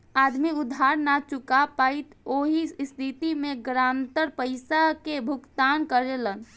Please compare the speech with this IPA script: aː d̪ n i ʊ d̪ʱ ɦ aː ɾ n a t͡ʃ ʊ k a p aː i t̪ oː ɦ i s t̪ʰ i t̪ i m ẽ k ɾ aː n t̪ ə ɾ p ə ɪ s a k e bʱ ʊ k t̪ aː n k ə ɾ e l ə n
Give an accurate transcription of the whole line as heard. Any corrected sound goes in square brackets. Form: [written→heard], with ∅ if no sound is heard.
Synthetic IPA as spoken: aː d̪ [n→m] i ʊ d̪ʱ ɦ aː ɾ n a t͡ʃ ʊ k a p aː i t̪ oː ɦ i s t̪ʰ i t̪ i m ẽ [k→ɡ] ɾ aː n t̪ ə ɾ p ə ɪ s a k e bʱ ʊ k t̪ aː n k ə ɾ e l ə n